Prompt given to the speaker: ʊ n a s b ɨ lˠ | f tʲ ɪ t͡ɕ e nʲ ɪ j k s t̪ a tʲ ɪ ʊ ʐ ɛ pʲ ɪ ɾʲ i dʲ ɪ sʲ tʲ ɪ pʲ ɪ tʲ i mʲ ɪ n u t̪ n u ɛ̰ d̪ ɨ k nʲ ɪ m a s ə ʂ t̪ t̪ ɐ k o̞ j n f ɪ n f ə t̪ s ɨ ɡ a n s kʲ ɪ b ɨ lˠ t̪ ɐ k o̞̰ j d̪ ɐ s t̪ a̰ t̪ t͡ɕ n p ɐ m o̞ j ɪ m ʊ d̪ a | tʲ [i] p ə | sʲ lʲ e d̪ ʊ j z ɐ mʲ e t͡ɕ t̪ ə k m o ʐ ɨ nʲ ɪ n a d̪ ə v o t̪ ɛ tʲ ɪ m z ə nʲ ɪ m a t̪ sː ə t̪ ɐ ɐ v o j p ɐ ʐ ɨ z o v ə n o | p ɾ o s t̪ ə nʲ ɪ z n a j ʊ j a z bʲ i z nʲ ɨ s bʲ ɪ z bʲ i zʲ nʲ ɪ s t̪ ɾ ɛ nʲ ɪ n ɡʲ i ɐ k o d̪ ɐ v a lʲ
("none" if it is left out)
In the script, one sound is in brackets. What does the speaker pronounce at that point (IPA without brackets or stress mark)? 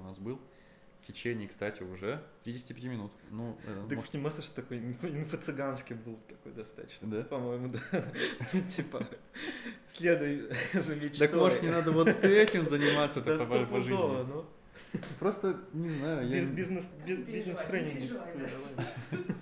i